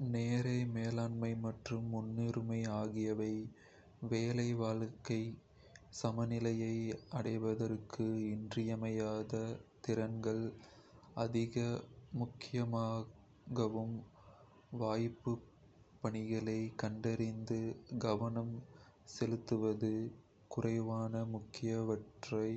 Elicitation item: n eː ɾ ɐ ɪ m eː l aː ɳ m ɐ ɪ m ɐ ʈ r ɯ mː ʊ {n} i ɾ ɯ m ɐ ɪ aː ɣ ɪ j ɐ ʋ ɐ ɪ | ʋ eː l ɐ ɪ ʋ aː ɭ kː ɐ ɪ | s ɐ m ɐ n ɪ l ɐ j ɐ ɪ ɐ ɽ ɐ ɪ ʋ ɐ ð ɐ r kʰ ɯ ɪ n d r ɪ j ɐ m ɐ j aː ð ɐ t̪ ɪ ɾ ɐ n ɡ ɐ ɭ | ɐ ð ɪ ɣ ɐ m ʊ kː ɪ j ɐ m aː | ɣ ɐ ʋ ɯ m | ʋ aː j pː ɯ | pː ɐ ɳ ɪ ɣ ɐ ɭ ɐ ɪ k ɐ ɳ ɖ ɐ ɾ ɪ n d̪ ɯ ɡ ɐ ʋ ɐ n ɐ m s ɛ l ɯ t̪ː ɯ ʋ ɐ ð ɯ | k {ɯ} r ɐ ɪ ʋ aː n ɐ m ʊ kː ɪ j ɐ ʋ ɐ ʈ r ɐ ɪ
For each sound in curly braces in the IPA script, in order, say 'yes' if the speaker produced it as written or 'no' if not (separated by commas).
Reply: no, no